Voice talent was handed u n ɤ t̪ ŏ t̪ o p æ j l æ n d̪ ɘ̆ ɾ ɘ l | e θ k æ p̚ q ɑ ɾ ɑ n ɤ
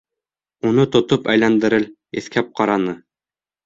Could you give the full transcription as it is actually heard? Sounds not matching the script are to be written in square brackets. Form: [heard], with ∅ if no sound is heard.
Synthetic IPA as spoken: u n ɤ t̪ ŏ t̪ o p æ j l æ n d̪ ɘ̆ ɾ ɘ l | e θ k æ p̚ q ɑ ɾ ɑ n ɤ